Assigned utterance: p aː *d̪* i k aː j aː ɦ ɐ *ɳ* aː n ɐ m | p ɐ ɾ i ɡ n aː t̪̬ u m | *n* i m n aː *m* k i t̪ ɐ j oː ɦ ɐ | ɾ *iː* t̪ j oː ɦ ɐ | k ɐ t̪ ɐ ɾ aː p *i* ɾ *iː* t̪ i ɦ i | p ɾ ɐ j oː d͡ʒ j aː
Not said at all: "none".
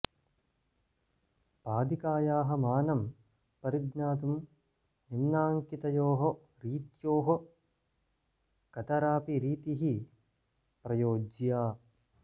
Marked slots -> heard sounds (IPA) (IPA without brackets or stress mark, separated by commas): d̪, m, n, ŋ, iː, i, iː